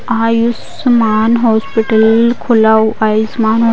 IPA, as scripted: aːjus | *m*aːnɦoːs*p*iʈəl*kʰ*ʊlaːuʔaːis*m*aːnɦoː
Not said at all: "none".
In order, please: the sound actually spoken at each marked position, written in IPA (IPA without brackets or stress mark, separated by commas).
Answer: m, p, kʰ, m